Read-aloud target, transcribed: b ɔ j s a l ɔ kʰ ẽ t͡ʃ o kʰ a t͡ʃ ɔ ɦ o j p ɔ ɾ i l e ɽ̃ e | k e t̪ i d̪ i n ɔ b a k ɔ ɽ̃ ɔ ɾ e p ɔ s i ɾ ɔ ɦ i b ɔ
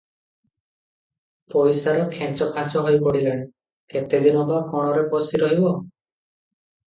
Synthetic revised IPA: p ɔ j s a ɾ ɔ kʰ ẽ t͡ʃ ɔ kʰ a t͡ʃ ɔ ɦ o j p ɔ ɽ i l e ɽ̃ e | k e t̪ e d̪ i n ɔ b a k ɔ ɽ̃ ɔ ɾ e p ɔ s i ɾ ɔ ɦ i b ɔ